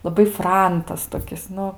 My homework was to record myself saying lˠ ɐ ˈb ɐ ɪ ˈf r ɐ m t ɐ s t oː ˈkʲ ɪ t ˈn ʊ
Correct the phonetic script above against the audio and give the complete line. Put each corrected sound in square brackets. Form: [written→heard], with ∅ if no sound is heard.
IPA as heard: lˠ ɐ ˈb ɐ ɪ ˈf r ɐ [m→n] t ɐ s t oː ˈkʲ ɪ [t→s] ˈn ʊ

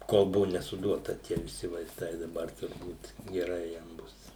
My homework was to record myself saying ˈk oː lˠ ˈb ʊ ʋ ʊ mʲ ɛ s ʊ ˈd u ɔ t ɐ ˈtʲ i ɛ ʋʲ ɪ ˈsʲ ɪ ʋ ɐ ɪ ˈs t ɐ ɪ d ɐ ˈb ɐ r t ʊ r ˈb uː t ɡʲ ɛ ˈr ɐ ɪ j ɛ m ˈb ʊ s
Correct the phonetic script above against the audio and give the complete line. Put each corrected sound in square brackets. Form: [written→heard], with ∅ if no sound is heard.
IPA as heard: ˈk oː lˠ ˈb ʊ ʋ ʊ [mʲ→nʲ] ɛ s ʊ ˈd u ɔ t ɐ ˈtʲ i ɛ ʋʲ ɪ ˈsʲ ɪ ʋ ɐ ɪ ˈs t ɐ ɪ d ɐ ˈb ɐ r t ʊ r ˈb uː t ɡʲ ɛ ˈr ɐ ɪ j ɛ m ˈb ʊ s

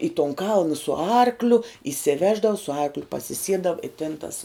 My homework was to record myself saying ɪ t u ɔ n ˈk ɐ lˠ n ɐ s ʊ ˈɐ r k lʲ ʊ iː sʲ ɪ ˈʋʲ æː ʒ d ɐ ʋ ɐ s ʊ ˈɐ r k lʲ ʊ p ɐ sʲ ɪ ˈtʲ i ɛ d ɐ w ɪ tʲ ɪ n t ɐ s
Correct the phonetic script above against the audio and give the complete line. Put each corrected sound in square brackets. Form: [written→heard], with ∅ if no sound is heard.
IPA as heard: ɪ t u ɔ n ˈk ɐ lˠ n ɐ s ʊ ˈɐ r k lʲ ʊ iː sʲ ɪ ˈʋʲ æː ʒ d ɐ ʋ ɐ s ʊ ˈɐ r k lʲ ʊ p ɐ sʲ ɪ [ˈtʲ→ˈsʲ] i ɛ d ɐ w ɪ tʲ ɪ n t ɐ s

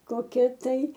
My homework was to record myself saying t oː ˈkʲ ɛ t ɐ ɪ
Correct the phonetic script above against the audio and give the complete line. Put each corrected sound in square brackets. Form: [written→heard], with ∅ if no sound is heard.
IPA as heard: [t→k] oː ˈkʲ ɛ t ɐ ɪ

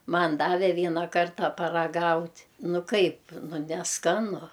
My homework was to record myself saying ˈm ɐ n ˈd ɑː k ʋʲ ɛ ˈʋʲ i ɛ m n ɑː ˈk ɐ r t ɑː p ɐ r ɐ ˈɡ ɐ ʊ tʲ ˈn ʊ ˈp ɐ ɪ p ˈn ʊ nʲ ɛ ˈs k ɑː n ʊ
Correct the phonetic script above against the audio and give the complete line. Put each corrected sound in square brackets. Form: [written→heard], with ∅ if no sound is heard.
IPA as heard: ˈm ɐ n ˈd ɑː [k→∅] ʋʲ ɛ ˈʋʲ i ɛ [m→∅] n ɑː ˈk ɐ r t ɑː p ɐ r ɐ ˈɡ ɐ ʊ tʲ ˈn ʊ [ˈp→ˈk] ɐ ɪ p ˈn ʊ nʲ ɛ ˈs k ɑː n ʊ

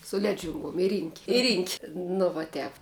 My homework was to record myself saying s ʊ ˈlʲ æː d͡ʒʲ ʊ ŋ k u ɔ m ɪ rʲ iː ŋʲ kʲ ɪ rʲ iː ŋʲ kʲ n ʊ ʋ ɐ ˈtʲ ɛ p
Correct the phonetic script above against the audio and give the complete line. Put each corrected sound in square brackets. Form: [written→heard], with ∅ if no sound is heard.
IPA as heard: s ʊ ˈlʲ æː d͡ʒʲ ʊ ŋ [k→ɡ] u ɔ m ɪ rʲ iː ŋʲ kʲ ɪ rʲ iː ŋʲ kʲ n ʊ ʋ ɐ ˈtʲ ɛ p

